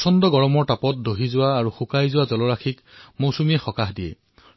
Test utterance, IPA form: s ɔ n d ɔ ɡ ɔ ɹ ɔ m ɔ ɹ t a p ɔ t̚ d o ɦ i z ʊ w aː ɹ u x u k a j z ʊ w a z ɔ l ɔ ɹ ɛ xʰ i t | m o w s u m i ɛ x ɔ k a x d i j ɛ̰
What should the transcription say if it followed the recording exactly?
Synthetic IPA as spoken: s ɔ n d ɔ ɡ ɔ ɹ ɔ m ɔ ɹ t a p ɔ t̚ d o ɦ i z ʊ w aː ɹ u x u k a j z ʊ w a z ɔ l ɔ ɹ a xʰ i k | m o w s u m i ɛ x ɔ k a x d i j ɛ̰